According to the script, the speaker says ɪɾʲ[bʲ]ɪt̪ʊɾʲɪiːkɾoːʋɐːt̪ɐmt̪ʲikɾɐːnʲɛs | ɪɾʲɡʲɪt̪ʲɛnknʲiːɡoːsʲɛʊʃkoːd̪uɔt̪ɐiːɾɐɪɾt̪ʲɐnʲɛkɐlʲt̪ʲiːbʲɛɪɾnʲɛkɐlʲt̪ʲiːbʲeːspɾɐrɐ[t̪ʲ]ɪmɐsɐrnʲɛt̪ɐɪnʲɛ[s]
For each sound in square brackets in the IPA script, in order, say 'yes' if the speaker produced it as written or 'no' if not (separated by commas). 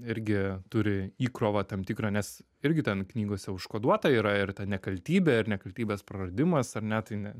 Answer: no, no, no